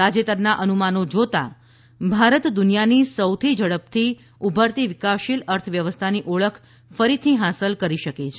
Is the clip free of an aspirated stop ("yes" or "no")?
no